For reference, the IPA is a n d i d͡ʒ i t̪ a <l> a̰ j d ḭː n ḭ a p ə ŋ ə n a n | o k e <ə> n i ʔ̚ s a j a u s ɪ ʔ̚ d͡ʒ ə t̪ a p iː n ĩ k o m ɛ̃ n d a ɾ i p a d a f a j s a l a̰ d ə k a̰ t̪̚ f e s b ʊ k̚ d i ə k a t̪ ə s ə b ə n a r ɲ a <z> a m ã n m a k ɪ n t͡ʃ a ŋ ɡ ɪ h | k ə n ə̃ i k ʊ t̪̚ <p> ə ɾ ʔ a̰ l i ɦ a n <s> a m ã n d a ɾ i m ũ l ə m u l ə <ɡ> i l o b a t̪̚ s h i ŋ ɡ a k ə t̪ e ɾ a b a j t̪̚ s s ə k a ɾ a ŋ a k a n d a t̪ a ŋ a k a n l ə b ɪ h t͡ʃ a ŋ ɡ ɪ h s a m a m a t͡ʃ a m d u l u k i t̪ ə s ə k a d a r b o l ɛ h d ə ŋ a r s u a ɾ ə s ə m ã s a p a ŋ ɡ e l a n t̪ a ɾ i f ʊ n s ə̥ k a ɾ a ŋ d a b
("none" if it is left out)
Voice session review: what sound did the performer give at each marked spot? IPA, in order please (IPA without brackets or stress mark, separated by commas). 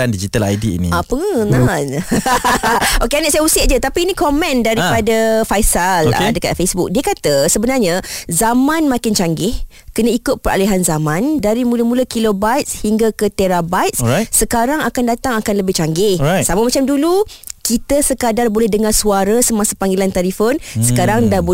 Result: l, a, z, p, z, k